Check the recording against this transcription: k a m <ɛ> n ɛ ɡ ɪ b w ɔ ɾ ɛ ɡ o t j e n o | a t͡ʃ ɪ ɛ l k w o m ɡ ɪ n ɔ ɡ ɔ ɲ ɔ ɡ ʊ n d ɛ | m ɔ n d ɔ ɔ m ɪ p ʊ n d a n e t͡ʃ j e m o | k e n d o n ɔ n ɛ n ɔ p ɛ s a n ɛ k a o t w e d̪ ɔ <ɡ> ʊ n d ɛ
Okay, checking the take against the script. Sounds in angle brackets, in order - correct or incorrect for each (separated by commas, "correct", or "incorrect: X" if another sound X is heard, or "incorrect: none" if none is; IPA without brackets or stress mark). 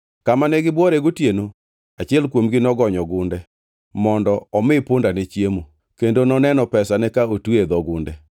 incorrect: a, correct